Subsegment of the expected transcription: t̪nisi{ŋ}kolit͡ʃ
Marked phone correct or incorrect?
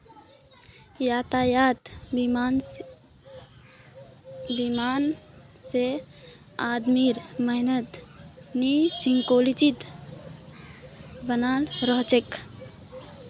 correct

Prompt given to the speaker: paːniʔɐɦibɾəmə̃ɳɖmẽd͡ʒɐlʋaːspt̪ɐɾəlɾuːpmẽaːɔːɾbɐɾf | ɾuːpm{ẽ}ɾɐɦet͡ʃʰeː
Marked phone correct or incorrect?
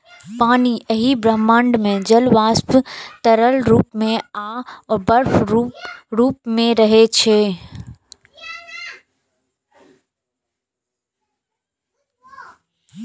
correct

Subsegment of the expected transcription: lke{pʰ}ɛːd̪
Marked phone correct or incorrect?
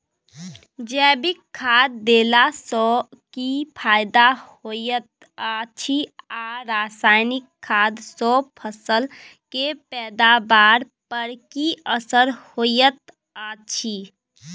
incorrect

